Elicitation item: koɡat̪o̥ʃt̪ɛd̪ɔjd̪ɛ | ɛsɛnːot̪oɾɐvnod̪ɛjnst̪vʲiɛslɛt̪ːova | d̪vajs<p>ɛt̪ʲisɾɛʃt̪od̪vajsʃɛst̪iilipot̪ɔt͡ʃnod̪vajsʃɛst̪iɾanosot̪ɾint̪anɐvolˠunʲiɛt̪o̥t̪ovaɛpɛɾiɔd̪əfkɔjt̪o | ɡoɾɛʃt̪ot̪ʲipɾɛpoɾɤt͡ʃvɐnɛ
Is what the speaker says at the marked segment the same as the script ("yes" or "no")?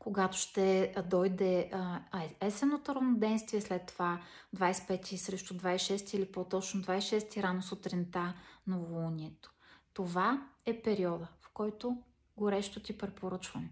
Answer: yes